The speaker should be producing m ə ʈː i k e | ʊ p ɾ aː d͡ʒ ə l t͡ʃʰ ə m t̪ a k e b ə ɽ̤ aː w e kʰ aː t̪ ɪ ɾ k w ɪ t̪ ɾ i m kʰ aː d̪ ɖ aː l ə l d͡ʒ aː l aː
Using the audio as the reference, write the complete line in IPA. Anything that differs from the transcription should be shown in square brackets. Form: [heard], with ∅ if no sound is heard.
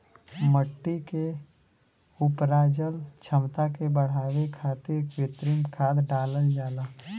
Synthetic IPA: m ə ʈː i k e | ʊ p ɾ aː d͡ʒ ə l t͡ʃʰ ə m t̪ a k e b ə ɽ̤ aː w e kʰ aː t̪ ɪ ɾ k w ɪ t̪ ɾ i m kʰ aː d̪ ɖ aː l ə l d͡ʒ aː l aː